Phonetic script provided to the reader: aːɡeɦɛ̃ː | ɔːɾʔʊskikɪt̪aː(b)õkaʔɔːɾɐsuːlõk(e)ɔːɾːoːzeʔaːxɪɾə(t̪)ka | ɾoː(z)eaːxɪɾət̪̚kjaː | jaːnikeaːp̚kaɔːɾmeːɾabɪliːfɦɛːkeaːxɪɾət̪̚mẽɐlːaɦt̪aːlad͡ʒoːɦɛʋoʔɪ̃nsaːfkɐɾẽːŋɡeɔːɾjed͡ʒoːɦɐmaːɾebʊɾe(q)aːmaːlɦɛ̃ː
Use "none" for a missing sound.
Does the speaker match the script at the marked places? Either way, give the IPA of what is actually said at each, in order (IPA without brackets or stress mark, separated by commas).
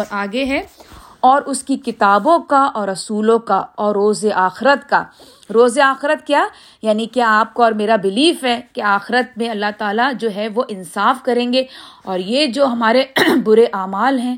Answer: b, a, t̪, z, ʔ